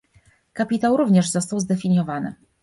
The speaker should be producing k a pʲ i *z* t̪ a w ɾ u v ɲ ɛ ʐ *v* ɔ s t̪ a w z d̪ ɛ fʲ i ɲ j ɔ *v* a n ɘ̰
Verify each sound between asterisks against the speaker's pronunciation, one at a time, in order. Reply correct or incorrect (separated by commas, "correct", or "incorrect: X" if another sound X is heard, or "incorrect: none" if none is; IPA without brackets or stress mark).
incorrect: none, incorrect: z, correct